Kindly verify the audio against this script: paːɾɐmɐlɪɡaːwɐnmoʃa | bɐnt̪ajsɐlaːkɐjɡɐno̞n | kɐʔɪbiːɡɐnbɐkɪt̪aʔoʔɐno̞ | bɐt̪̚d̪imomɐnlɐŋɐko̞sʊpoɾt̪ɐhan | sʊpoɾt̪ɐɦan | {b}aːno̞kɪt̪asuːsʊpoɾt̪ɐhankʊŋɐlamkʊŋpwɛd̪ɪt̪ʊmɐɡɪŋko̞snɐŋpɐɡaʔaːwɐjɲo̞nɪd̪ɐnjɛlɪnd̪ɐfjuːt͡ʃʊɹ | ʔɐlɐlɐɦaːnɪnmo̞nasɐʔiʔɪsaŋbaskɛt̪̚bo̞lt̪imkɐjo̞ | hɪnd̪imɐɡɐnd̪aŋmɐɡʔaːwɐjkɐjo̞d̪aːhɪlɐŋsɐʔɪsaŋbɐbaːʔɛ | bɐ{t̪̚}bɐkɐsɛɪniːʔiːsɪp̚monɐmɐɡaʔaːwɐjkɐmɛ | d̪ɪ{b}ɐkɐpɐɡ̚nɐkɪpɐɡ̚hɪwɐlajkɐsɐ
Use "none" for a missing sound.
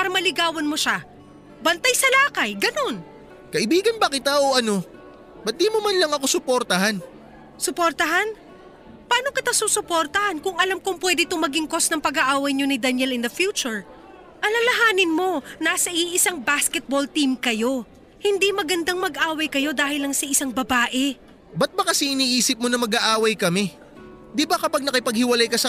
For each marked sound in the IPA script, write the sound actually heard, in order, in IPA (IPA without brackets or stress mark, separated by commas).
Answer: p, t̪̚, b